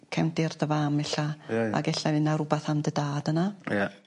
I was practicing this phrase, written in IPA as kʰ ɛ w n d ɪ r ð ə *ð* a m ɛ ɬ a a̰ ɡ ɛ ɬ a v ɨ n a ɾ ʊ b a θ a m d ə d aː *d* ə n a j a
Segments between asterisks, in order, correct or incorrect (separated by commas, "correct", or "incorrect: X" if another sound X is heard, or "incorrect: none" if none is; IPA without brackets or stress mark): incorrect: v, correct